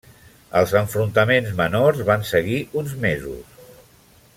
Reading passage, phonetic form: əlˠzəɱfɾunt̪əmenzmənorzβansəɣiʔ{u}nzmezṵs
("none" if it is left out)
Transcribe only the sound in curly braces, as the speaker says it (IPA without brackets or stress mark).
u